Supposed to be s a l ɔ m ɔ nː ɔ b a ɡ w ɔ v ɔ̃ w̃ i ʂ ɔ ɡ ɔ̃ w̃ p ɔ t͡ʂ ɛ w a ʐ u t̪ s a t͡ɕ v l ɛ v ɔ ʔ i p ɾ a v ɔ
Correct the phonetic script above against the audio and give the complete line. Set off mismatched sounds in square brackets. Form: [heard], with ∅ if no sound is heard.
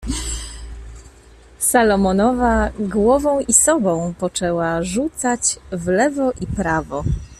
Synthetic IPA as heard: s a l ɔ m ɔ [n] ɔ [v] a ɡ w ɔ v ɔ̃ w̃ i [s] ɔ [b] ɔ̃ w̃ p ɔ t͡ʂ ɛ w a ʐ u t̪ s a t͡ɕ v l ɛ v ɔ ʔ i p ɾ a v ɔ